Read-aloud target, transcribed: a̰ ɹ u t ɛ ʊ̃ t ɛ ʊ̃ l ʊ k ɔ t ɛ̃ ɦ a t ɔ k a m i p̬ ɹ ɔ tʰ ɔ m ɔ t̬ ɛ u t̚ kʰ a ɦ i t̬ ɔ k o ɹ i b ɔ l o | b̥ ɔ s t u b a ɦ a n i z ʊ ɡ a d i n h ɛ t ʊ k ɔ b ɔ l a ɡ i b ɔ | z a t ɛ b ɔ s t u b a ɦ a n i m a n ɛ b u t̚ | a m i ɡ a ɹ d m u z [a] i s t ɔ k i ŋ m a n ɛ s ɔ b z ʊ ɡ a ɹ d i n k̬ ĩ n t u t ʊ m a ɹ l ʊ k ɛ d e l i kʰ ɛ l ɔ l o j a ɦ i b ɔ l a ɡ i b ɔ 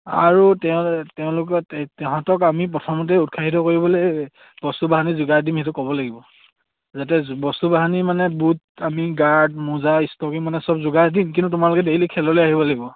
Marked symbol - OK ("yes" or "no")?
yes